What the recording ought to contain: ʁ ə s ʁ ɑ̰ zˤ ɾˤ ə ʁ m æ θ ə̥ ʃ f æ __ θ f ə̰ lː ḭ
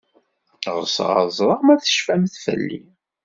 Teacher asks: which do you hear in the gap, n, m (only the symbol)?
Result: m